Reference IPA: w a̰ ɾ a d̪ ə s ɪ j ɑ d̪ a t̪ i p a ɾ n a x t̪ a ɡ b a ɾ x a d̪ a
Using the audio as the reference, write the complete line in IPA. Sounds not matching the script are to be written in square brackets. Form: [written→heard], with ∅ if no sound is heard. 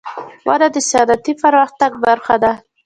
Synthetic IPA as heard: w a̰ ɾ a d̪ ə s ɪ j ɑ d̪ a t̪ i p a ɾ [n→m] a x t̪ a ɡ b a ɾ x a d̪ a